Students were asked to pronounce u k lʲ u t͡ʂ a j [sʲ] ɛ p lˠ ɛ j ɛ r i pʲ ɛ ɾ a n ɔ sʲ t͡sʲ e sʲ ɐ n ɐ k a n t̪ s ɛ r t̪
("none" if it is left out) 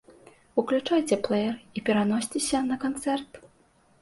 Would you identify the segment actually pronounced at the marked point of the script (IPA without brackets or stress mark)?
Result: t͡sʲ